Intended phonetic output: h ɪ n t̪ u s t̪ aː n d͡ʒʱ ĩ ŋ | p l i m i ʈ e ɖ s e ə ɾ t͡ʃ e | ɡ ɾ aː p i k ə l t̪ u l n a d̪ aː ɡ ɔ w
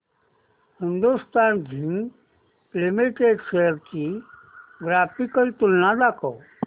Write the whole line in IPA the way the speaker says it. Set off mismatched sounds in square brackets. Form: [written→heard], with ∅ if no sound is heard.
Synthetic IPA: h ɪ n [t̪→d̪] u s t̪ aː n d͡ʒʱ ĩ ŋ | p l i m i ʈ e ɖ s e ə ɾ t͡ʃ [e→i] | ɡ ɾ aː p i k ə l t̪ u l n a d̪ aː [ɡ→k] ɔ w